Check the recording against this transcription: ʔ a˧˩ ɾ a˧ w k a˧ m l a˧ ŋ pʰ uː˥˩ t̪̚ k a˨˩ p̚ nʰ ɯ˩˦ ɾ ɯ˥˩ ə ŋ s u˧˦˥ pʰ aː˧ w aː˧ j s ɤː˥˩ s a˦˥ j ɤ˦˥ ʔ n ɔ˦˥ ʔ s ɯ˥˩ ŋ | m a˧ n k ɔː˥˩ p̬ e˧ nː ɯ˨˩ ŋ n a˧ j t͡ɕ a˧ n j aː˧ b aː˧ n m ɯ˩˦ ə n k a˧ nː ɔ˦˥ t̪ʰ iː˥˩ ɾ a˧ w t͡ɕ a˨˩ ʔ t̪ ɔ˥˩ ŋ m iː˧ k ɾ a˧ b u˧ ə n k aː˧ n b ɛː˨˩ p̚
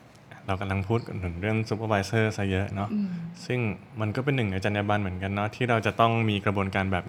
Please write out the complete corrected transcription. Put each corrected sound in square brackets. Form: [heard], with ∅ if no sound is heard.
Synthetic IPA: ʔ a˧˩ ɾ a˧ w k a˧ m l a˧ ŋ pʰ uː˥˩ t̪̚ k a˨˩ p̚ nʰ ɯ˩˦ ɾ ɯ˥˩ ə ŋ s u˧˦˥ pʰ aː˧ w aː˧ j s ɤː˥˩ s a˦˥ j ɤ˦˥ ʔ n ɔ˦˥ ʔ s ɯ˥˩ ŋ | m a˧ n k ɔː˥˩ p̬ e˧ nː ɯ˨˩ ŋ n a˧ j t͡ɕ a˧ n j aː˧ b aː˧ n m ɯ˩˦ ə n k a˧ nː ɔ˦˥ t̪ʰ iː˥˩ ɾ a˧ w t͡ɕ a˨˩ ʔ t̪ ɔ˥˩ ŋ m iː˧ k ɾ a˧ b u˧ ə n k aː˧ n b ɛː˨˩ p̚